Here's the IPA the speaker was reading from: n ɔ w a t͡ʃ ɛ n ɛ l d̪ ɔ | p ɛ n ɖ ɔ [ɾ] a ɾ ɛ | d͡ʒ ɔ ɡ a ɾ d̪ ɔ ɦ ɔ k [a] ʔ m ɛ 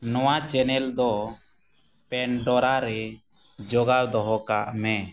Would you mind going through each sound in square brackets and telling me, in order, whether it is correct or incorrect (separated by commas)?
correct, correct